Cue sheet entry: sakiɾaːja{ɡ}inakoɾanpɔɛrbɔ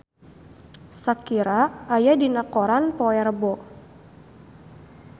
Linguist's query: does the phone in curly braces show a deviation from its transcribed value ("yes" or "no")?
yes